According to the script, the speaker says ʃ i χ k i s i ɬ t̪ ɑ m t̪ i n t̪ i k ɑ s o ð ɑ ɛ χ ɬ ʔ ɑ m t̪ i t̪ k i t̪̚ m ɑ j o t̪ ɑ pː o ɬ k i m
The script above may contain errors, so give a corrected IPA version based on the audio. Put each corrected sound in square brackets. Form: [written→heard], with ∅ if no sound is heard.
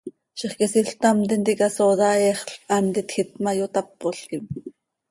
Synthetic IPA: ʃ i χ k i s i ɬ t̪ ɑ m t̪ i n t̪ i k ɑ s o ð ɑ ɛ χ ɬ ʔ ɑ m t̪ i t̪ [k→x] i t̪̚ m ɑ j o t̪ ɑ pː o ɬ k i m